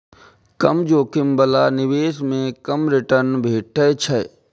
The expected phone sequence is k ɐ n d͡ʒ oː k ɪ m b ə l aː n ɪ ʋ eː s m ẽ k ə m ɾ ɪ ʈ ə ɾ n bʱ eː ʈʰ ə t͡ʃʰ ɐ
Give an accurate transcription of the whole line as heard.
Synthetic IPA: k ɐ m d͡ʒ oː k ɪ m b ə l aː n ɪ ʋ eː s m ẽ k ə m ɾ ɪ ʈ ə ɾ n bʱ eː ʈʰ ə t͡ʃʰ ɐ